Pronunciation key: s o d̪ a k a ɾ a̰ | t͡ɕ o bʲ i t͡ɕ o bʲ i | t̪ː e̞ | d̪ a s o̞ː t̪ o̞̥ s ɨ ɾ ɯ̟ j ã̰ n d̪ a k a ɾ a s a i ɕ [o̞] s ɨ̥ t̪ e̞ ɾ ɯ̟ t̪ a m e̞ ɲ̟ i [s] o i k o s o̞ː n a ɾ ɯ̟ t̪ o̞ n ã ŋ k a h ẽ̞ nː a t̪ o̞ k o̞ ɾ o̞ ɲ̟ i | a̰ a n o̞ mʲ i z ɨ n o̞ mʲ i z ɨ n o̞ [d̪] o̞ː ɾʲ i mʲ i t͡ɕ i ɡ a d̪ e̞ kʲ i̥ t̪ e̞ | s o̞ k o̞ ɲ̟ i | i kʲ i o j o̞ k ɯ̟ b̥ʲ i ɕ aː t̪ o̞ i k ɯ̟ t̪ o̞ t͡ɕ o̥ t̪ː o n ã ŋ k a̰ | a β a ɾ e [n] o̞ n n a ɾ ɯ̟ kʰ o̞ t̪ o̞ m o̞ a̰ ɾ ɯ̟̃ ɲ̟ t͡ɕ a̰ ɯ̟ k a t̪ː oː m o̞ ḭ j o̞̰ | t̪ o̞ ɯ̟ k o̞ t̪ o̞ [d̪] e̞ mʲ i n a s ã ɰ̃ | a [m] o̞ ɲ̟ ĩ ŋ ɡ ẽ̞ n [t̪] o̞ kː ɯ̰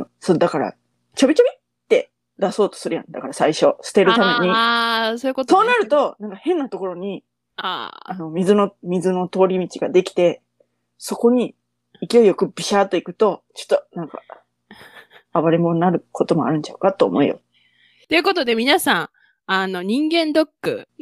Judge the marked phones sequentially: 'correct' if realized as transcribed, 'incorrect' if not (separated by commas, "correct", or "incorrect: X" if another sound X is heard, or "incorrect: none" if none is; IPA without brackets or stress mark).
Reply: correct, correct, incorrect: t̪, incorrect: m, correct, incorrect: n, incorrect: d̪